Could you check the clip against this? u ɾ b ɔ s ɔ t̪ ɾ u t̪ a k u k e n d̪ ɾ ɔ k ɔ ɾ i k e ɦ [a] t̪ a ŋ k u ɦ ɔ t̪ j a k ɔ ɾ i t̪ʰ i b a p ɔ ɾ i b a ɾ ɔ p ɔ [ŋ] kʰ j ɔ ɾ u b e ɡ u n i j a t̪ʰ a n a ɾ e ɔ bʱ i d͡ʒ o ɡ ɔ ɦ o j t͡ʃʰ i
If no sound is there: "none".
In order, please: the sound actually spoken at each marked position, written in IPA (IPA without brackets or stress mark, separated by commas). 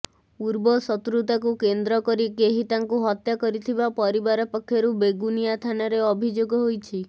i, none